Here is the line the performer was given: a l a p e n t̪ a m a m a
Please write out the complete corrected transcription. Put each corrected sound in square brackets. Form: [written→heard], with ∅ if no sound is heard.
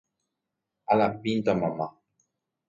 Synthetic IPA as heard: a l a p [e→i] n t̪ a m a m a